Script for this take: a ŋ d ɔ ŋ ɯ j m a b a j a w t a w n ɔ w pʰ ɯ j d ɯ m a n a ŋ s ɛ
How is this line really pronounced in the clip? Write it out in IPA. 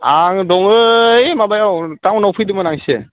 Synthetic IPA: a ŋ d ɔ ŋ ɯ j m a b a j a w t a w n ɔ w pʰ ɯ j d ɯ m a n a ŋ s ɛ